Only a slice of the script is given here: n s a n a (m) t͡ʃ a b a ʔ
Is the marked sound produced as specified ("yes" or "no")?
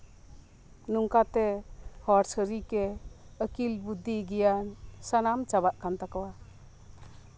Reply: yes